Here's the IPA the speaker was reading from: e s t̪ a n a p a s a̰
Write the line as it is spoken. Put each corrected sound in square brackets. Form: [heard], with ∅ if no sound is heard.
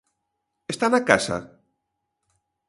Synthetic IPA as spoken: e s t̪ a n a [k] a s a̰